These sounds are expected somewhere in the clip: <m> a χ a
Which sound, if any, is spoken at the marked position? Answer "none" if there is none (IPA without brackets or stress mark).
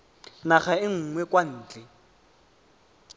n